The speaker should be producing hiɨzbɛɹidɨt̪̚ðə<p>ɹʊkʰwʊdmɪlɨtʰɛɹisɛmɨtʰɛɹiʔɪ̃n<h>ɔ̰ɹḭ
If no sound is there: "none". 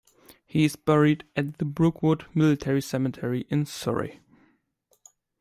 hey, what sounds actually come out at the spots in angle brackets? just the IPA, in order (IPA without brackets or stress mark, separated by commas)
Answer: b, s